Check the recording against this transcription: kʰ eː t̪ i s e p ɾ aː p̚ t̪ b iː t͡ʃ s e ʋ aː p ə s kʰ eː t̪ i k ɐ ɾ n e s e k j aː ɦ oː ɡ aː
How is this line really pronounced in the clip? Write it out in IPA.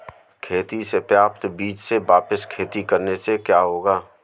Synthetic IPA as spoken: kʰ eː t̪ i s e p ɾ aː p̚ t̪ b iː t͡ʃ s e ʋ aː p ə s kʰ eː t̪ i k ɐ ɾ n e s e k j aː ɦ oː ɡ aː